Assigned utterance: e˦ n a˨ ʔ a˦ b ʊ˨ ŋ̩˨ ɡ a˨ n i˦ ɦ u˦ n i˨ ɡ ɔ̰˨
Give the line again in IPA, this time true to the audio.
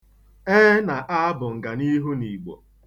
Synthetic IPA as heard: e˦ n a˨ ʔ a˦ b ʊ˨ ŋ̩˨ ɡ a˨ n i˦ ɦ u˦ n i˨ ɡ͡b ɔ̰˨